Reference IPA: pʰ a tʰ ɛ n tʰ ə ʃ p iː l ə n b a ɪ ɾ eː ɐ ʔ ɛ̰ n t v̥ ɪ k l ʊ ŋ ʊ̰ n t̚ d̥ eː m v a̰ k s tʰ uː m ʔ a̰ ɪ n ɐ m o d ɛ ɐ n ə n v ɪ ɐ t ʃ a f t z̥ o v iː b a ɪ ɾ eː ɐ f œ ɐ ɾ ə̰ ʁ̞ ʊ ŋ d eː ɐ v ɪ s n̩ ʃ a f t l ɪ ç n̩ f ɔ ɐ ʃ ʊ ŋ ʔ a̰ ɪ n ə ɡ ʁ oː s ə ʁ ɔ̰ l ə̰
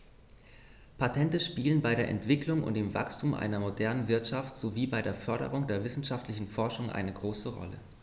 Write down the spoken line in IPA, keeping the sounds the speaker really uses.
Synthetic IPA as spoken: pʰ a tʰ ɛ n t ə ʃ p iː l ə n b a ɪ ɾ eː ɐ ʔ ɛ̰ n t v̥ ɪ k l ʊ ŋ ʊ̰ n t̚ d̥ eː m v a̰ k s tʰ uː m ʔ a̰ ɪ n ɐ m o d ɛ ɐ n ə n v ɪ ɐ t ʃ a f t z̥ o v iː b a ɪ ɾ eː ɐ f œ ɐ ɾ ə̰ ʁ̞ ʊ ŋ d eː ɐ v ɪ s n̩ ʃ a f t l ɪ ç n̩ f ɔ ɐ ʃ ʊ ŋ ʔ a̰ ɪ n ə ɡ ʁ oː s ə ʁ ɔ̰ l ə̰

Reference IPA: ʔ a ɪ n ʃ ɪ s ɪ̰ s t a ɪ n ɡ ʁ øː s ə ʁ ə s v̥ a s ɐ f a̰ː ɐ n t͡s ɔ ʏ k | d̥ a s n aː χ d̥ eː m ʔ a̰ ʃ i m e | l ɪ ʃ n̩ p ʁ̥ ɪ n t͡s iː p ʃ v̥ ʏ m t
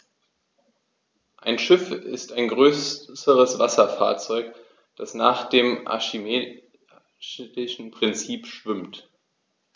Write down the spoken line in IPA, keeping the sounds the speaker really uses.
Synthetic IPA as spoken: ʔ a ɪ n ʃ ɪ f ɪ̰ s t a ɪ n ɡ ʁ øː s ə ʁ ə s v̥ a s ɐ f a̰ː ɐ t͡s ɔ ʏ k | d̥ a s n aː χ d̥ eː m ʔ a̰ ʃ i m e | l ɪ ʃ n̩ p ʁ̥ ɪ n t͡s iː p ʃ v̥ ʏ m t

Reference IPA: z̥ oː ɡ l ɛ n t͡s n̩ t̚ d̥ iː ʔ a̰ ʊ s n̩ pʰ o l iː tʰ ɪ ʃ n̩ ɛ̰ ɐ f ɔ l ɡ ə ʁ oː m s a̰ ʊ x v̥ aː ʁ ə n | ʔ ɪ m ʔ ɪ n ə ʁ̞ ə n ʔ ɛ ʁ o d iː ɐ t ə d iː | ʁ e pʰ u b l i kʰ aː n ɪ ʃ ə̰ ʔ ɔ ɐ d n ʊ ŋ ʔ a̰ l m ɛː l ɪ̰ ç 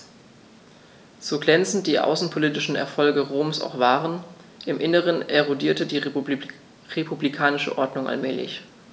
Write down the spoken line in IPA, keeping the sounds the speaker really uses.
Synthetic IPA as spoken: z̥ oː ɡ l ɛ n t͡s n̩ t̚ d̥ iː ʔ a̰ ʊ s n̩ pʰ o l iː t ɪ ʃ n̩ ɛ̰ ɐ f ɔ l ɡ ə ʁ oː m s a̰ ʊ x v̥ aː ʁ ə n | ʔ ɪ m ʔ ɪ n ə ʁ̞ ə n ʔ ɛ ʁ o d iː ɐ t ə d iː | ʁ e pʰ u b l i kʰ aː n ɪ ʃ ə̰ ʔ ɔ ɐ d n ʊ ŋ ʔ a̰ l m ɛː l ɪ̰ ç

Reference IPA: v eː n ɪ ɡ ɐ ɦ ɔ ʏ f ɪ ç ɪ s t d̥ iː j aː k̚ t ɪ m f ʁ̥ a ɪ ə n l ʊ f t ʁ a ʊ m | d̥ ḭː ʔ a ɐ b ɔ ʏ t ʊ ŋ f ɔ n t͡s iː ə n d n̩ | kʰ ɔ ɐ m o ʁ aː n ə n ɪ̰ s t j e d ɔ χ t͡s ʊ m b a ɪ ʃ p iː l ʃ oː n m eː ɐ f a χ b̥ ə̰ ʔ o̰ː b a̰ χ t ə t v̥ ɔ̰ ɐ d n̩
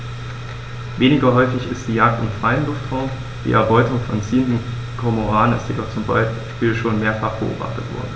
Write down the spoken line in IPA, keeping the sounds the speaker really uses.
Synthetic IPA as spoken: v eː n ɪ ɡ ɐ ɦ ɔ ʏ f ɪ ç ɪ s t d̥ iː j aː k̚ t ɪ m f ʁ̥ a ɪ ə n l ʊ f t ʁ a ʊ m | d̥ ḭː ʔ ɛ ɐ b ɔ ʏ t ʊ ŋ f ɔ n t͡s iː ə n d n̩ | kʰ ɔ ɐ m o ʁ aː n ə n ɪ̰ s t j e d ɔ χ t͡s ʊ m b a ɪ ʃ p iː l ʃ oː n m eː ɐ f a χ b̥ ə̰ ʔ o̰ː b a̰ χ t ə t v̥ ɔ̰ ɐ d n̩

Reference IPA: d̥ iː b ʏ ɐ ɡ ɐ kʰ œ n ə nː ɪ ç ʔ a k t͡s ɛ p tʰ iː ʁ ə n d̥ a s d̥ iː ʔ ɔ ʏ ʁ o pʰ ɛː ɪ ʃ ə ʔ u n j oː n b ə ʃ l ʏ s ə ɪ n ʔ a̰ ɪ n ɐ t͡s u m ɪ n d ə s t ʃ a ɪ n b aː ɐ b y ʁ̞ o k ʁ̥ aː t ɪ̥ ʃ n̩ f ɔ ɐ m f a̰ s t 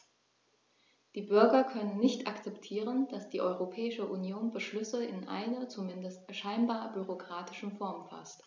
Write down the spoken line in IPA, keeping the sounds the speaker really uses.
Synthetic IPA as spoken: d̥ iː b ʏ ɐ ɡ ɐ kʰ œ n ə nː ɪ ç t a k t͡s ɛ p tʰ iː ʁ ə n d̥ a s d̥ iː ʔ ɔ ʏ ʁ o pʰ ɛː ɪ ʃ ə ʔ u n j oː n b ə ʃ l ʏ s ə ɪ n ʔ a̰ ɪ n ɐ t͡s u m ɪ n d ə s t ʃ a ɪ n b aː ɐ b y ʁ̞ o k ʁ̥ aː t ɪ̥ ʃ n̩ f ɔ ɐ m f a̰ s t

